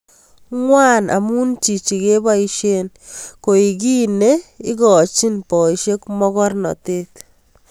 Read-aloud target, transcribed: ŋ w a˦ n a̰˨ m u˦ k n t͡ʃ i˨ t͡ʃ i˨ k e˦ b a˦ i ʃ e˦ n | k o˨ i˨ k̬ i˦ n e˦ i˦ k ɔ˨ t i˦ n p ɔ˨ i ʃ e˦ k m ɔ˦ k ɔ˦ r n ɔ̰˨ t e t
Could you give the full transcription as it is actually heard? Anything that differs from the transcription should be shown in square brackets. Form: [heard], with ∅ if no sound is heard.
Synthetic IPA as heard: ŋ w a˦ n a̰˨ m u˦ [∅] n t͡ʃ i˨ t͡ʃ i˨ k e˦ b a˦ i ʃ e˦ n | k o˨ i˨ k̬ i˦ n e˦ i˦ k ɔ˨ [t͡ʃ] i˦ n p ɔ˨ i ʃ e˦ k m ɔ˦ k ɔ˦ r n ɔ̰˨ t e t